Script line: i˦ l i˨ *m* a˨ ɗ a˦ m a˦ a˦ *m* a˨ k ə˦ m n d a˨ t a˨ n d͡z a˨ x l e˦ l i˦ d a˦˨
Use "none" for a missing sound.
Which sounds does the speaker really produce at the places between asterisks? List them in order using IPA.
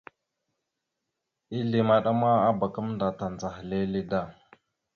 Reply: m, b

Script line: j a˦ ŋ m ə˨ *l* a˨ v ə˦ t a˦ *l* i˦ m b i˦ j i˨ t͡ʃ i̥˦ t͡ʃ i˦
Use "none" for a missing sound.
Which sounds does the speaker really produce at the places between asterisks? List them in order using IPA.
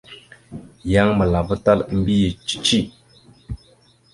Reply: l, l

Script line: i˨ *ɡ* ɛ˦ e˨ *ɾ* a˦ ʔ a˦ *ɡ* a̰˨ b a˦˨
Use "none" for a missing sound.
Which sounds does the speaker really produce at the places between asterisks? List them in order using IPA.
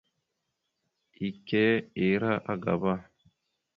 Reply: k, ɾ, ɡ

